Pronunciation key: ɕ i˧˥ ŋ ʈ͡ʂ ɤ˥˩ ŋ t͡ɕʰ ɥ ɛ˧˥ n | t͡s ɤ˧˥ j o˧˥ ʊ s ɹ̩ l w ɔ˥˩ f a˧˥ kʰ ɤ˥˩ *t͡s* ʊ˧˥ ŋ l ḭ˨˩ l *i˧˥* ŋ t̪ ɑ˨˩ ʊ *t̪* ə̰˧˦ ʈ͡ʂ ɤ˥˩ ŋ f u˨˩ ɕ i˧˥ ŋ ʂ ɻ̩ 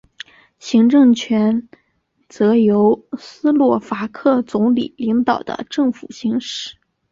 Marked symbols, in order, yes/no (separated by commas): yes, yes, no